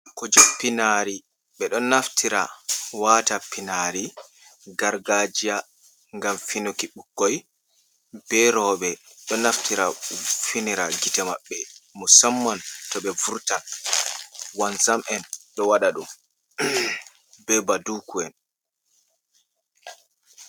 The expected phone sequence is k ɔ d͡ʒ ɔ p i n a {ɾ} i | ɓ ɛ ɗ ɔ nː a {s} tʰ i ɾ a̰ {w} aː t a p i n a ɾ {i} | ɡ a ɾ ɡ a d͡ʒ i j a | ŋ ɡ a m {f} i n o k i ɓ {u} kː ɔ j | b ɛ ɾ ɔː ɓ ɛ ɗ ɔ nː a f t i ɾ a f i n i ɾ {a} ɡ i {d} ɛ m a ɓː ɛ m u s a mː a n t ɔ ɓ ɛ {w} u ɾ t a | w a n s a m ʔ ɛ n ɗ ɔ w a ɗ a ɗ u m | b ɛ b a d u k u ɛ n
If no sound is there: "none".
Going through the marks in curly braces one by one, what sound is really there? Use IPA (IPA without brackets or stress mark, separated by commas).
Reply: ɾ, f, w, i, f, u, a, t, v